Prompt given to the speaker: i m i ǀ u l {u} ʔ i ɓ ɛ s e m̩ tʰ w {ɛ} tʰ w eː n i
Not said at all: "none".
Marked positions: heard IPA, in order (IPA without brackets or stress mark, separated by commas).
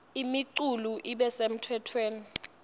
u, ɛ